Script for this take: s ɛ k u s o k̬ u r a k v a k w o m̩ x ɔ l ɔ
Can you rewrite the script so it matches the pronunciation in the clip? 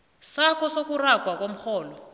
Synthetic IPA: s a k ɔ s o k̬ u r a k w a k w o m̩ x ɔː l ɔ